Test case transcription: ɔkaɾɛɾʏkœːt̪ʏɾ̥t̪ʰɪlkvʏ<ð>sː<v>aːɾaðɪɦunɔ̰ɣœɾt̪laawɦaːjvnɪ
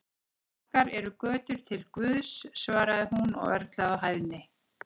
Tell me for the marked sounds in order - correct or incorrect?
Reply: correct, correct

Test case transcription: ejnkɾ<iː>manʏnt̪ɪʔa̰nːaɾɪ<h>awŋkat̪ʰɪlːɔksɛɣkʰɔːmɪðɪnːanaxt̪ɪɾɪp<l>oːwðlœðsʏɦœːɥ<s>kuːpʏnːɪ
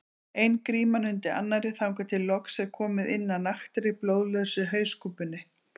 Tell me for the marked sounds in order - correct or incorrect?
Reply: correct, incorrect: θ, correct, correct

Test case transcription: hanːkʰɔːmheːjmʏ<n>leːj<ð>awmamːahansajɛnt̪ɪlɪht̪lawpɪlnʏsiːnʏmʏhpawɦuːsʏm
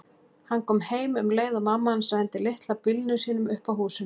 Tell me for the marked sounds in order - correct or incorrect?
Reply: incorrect: m, correct

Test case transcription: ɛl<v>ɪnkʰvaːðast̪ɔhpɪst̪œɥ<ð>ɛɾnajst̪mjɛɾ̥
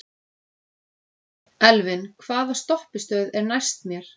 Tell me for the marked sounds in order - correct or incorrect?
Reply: correct, correct

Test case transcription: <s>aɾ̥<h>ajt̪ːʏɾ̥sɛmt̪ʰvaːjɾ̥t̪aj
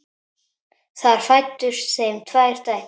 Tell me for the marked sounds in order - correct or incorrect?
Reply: incorrect: θ, incorrect: f

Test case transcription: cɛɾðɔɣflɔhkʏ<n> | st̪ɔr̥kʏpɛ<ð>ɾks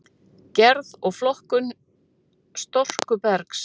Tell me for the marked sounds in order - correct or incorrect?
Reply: correct, incorrect: none

